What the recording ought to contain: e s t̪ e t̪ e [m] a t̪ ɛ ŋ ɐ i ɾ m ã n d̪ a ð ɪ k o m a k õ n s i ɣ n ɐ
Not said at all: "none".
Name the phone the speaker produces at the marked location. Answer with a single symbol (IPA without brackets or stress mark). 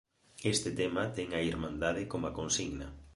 m